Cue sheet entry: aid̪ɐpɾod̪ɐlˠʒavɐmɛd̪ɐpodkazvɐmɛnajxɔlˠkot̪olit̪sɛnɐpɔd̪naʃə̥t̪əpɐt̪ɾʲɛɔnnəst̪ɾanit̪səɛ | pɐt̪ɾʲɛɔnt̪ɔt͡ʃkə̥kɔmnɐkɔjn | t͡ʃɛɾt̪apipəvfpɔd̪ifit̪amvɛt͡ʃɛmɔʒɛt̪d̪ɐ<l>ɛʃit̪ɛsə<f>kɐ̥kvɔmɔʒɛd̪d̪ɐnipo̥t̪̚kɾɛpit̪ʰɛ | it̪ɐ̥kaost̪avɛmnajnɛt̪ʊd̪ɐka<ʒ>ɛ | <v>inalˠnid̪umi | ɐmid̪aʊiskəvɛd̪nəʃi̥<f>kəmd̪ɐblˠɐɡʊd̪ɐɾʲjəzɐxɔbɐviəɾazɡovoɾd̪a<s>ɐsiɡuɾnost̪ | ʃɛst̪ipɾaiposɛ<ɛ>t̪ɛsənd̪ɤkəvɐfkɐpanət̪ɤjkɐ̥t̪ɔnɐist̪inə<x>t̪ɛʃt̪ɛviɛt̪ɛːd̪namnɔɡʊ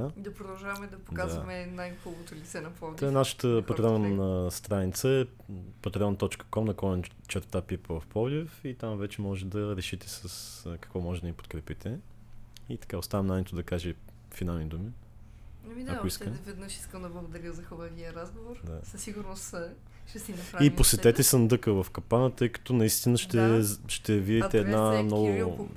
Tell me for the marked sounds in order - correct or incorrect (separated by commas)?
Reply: incorrect, incorrect, correct, incorrect, incorrect, correct, correct, incorrect